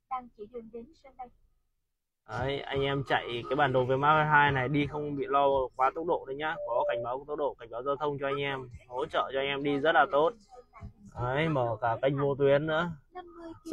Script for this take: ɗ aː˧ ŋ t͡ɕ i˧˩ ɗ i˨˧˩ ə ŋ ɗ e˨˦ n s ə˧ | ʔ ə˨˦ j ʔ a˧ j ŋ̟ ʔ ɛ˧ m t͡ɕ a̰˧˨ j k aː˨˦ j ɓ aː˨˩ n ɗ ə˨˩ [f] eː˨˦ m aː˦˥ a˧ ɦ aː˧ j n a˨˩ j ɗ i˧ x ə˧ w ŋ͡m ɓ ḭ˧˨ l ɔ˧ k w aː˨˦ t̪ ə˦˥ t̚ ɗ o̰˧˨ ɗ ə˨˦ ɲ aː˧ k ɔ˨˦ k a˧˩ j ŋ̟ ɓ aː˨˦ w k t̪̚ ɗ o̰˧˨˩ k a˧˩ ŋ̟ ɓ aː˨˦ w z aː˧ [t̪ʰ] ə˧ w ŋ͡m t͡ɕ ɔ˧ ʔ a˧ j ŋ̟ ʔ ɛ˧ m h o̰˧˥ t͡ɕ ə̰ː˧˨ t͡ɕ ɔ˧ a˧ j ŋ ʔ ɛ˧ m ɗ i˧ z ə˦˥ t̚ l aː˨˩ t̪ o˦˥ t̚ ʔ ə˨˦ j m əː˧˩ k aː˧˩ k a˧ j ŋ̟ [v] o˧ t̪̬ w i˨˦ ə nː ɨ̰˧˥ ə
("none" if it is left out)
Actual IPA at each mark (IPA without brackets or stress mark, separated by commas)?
v, t̪ʰ, v